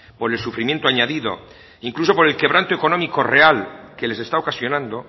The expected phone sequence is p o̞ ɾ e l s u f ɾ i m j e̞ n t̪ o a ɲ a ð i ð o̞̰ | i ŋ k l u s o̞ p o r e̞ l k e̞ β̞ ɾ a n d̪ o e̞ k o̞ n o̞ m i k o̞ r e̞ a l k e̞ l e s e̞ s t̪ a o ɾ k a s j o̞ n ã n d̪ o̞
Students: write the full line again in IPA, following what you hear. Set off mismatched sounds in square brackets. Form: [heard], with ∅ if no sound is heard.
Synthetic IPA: p o̞ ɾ e l s u f ɾ i m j e̞ n t̪ o a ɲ a ð i ð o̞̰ | i ŋ k l u s o̞ p o [ɾ] e̞ l k e̞ β̞ ɾ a n [t̪] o e̞ k o̞ n o̞ m i k o̞ r e̞ a l k e̞ l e s e̞ s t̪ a o [∅] k a s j o̞ n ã n d̪ o̞